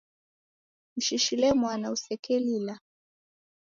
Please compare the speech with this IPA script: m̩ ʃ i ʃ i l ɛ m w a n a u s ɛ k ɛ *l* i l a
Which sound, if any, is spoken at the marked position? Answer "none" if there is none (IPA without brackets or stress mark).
l